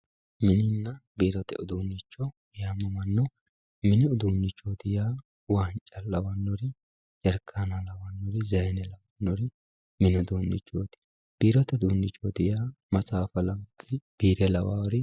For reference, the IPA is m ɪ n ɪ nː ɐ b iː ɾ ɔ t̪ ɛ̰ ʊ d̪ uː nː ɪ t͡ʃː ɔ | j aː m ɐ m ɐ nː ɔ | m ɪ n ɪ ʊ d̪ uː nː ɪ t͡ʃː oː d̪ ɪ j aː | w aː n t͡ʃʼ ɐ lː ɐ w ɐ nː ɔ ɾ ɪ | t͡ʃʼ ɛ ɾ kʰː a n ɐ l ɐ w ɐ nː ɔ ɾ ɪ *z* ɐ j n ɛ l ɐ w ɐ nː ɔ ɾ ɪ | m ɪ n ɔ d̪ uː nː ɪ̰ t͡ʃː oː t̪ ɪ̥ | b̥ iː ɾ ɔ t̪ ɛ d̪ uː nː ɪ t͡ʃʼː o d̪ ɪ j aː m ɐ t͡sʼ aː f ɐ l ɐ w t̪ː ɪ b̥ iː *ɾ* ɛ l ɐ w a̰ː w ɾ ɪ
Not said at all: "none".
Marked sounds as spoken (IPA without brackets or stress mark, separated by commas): z, ɾ